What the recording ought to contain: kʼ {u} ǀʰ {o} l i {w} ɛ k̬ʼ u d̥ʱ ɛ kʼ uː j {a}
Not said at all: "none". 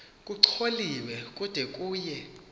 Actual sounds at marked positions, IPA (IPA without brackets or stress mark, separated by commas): u, o, w, ɛ